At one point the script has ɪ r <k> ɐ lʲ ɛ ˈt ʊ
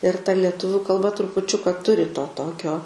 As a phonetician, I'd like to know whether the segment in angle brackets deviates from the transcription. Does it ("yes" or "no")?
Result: yes